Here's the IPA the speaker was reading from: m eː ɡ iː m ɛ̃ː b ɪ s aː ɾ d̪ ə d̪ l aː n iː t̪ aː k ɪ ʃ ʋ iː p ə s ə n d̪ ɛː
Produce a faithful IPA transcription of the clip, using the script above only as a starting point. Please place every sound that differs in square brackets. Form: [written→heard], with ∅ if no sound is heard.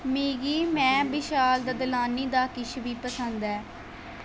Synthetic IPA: m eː ɡ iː m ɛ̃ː b ɪ [s→ʃ] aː [ɾ→l] d̪ ə d̪ l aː n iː [t̪→d̪] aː k ɪ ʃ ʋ iː p ə s ə n d̪ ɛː